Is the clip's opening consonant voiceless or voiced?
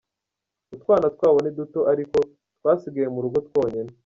voiceless